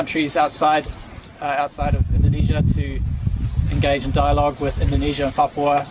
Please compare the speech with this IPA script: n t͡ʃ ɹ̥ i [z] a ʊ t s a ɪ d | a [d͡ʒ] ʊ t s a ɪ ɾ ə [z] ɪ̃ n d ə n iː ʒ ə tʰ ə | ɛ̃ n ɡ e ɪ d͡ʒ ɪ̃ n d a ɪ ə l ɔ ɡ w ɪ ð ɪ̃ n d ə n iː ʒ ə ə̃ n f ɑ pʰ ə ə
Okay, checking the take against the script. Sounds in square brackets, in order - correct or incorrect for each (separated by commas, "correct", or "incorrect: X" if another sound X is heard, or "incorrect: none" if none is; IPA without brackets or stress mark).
correct, incorrect: none, incorrect: v